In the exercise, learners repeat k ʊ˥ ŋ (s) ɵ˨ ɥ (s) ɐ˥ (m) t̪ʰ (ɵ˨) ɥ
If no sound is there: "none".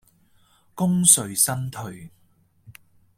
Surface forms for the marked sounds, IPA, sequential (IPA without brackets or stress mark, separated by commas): s, s, n, ɵ˨